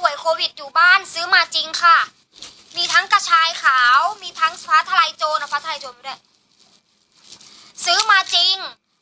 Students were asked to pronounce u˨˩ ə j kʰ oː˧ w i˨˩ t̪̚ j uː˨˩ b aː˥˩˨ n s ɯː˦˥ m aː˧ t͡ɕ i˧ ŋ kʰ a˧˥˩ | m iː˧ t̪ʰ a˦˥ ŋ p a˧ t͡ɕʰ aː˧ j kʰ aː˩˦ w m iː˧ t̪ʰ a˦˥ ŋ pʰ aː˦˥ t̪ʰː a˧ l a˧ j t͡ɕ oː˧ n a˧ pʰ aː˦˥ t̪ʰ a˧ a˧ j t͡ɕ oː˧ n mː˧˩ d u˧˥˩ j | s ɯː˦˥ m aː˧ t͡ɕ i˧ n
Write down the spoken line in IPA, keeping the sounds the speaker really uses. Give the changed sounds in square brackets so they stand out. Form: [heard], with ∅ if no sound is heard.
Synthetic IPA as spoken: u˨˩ ə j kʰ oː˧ w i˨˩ t̪̚ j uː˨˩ b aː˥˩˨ n s ɯː˦˥ m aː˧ t͡ɕ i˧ ŋ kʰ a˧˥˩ | m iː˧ t̪ʰ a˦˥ ŋ [k] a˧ t͡ɕʰ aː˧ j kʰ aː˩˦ w m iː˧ t̪ʰ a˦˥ ŋ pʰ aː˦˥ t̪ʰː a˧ l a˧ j t͡ɕ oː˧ n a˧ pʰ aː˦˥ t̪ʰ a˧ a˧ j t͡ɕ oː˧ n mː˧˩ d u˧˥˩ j | s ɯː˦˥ m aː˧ t͡ɕ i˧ [ŋ]

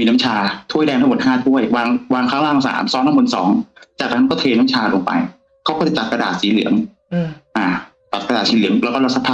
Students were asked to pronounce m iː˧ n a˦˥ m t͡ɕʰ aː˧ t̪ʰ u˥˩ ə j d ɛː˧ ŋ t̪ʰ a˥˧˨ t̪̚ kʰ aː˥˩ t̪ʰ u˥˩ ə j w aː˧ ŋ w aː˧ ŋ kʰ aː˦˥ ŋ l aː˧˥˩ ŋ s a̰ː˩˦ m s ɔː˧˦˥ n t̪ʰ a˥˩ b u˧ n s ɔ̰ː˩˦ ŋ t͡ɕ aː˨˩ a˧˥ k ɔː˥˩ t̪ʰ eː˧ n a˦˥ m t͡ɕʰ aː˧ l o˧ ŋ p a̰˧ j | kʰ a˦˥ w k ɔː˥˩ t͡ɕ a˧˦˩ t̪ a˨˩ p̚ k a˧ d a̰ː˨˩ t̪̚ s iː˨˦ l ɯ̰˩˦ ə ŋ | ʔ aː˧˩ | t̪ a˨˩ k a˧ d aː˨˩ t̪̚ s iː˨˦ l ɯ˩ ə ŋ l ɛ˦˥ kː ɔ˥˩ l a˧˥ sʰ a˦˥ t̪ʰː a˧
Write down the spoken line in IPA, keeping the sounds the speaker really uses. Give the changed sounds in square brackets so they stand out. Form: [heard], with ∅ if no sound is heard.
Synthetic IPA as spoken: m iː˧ n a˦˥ m t͡ɕʰ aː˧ t̪ʰ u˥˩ ə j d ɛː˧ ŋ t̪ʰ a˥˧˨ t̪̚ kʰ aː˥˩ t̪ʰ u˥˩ ə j w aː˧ ŋ w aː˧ ŋ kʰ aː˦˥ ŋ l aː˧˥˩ ŋ s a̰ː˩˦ m s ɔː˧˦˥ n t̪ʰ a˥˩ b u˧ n s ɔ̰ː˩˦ ŋ t͡ɕ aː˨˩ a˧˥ k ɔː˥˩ t̪ʰ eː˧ n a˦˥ m t͡ɕʰ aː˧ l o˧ ŋ p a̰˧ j | kʰ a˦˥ w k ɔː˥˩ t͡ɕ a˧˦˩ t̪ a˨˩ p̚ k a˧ d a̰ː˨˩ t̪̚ s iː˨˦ l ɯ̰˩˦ ə ŋ | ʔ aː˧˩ | t̪ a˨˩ k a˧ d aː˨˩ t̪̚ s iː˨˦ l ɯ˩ ə ŋ l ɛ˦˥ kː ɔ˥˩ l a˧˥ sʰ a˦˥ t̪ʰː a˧

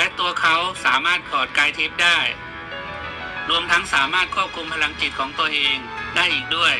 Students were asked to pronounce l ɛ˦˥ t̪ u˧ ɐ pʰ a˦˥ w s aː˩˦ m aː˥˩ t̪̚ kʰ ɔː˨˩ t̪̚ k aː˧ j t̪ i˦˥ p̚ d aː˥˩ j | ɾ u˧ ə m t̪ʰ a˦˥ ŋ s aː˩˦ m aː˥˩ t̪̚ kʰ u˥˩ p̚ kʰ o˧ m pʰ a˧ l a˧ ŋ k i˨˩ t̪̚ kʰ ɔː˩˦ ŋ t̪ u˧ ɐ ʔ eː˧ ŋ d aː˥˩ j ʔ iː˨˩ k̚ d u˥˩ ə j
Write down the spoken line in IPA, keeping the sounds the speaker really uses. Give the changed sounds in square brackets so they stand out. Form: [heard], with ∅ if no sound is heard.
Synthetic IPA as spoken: l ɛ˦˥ t̪ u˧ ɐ [kʰ] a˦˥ w s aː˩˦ m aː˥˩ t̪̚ kʰ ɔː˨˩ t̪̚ k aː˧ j [t̪ʰ] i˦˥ p̚ d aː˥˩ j | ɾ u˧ ə m t̪ʰ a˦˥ ŋ s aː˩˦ m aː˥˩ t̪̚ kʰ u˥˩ p̚ kʰ [u˧] m pʰ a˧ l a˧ ŋ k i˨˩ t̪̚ kʰ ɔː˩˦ ŋ t̪ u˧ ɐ ʔ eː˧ ŋ d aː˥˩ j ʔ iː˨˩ k̚ d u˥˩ ə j

